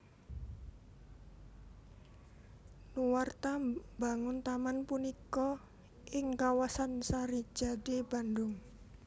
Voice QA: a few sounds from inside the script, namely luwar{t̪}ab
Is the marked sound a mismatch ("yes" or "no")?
no